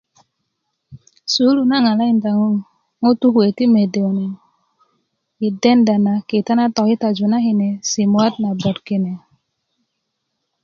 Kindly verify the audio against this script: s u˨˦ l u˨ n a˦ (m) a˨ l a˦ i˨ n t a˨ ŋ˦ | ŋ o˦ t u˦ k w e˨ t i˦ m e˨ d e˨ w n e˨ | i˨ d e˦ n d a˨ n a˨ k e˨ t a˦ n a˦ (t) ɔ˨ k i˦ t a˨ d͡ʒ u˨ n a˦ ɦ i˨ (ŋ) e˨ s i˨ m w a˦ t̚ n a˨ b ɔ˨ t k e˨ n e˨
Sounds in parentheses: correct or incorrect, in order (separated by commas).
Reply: incorrect, correct, incorrect